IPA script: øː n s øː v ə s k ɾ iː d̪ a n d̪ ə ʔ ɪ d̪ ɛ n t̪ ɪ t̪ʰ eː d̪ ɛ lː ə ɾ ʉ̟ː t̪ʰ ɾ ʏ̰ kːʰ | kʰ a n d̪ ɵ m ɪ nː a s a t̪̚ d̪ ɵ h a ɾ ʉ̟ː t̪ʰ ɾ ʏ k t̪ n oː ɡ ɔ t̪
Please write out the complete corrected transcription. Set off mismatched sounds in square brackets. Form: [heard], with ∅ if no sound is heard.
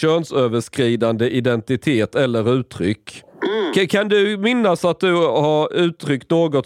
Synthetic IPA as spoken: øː n s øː v ə [ʂ] k ɾ iː d̪ a n d̪ ə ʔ ɪ d̪ ɛ n t̪ ɪ t̪ʰ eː [t̪] ɛ lː ə ɾ ʉ̟ː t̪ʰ ɾ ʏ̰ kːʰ | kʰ a n d̪ ɵ m ɪ nː a s a t̪̚ d̪ ɵ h a ɾ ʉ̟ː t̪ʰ ɾ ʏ k t̪ n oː ɡ ɔ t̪